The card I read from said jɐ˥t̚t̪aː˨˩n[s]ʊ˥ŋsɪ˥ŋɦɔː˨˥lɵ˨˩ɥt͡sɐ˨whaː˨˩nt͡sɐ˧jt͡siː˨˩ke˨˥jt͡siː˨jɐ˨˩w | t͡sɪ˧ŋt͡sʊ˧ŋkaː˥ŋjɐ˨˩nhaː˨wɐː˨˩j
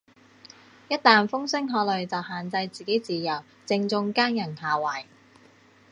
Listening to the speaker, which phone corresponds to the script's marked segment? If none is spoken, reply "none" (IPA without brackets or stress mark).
f